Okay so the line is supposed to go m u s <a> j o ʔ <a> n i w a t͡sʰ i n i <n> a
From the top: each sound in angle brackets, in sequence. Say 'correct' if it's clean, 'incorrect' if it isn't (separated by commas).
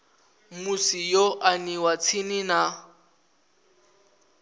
incorrect, correct, correct